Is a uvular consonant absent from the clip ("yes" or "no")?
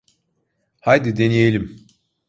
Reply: yes